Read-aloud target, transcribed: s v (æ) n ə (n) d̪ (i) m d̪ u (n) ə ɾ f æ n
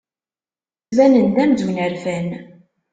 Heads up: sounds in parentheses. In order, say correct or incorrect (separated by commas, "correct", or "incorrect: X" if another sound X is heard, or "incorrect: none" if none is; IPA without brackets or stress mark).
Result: correct, correct, incorrect: æ, correct